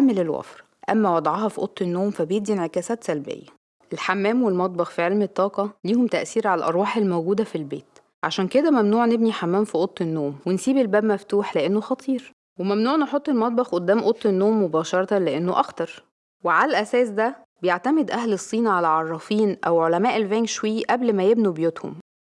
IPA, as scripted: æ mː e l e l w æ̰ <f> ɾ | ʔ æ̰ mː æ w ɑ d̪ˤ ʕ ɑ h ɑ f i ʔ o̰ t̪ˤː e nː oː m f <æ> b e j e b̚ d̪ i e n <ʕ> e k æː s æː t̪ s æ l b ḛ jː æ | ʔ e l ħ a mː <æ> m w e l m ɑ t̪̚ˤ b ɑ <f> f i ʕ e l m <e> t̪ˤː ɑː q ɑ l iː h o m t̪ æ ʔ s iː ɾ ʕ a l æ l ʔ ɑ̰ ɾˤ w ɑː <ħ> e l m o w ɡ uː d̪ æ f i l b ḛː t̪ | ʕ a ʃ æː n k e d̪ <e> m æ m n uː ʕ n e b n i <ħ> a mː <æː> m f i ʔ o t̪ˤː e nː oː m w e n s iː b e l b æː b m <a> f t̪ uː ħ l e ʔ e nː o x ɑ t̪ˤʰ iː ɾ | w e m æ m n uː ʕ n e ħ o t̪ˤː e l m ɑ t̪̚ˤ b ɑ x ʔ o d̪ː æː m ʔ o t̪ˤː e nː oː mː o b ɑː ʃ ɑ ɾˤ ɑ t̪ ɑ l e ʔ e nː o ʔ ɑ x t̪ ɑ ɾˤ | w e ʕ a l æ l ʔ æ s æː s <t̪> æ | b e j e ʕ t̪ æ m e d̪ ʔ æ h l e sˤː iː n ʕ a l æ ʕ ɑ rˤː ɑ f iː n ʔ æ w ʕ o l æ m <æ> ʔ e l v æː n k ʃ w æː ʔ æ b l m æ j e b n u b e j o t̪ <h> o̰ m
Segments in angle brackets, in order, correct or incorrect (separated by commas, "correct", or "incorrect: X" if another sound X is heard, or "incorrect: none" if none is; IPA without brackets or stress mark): correct, correct, correct, incorrect: æː, incorrect: x, correct, correct, incorrect: æ, correct, correct, incorrect: æ, incorrect: d̪, incorrect: æː, correct